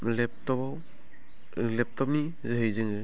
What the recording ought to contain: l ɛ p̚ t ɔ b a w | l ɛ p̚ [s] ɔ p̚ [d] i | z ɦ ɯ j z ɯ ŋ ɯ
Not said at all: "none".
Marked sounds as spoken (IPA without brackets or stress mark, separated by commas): t, n